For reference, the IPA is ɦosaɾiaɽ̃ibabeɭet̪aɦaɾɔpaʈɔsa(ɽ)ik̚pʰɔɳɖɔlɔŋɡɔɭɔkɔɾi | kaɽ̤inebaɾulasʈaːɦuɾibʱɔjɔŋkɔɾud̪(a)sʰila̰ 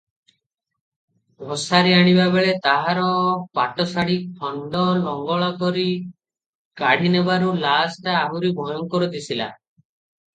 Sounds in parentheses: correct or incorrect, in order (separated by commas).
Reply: correct, incorrect